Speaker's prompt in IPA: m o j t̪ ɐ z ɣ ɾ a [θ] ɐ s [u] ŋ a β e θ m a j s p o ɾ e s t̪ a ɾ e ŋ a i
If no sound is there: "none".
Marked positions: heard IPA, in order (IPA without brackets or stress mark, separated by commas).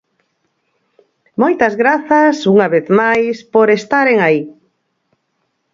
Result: θ, u